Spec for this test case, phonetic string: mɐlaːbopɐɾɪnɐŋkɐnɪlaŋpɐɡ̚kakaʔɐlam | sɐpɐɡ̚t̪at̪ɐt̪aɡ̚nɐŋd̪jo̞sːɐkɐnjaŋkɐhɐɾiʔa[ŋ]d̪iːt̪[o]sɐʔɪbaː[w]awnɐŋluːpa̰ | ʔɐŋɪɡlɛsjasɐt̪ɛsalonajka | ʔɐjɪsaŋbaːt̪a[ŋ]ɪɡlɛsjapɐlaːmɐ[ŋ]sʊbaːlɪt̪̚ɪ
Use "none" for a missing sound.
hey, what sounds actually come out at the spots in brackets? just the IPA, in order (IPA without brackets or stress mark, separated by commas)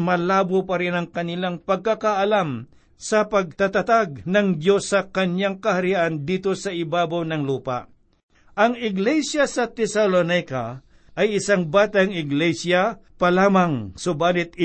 n, o, b, ŋ, ŋ